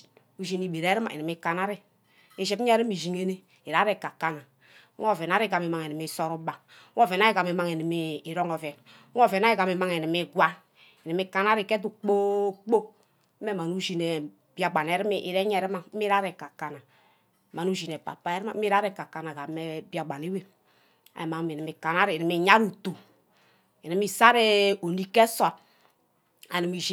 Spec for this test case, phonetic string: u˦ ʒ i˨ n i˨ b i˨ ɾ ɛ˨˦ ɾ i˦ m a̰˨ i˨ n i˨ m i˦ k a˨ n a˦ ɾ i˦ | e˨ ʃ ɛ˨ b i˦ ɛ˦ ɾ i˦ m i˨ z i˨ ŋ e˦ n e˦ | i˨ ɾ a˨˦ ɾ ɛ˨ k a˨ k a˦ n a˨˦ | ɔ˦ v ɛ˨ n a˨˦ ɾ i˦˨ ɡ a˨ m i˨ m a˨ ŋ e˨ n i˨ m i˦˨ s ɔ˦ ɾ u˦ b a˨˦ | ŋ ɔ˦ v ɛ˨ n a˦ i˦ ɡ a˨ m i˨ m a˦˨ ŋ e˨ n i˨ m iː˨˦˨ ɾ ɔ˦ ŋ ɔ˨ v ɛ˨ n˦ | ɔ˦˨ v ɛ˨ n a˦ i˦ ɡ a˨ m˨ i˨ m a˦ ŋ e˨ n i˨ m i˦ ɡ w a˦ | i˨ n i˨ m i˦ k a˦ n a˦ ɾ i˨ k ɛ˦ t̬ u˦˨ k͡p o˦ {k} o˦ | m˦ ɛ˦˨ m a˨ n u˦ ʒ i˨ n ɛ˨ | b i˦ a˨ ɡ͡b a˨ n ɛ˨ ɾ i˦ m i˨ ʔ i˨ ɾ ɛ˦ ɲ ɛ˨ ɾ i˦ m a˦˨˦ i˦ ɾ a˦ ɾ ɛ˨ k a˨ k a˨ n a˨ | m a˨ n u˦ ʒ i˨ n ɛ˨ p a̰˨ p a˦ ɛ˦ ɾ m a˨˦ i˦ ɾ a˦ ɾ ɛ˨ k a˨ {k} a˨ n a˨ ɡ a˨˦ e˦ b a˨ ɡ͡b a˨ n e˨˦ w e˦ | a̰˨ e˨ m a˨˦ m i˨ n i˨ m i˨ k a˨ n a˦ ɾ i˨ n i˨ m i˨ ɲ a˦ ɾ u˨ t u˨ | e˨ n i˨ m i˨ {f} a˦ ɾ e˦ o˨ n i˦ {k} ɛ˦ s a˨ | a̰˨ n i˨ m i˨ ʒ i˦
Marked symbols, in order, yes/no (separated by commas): no, yes, no, yes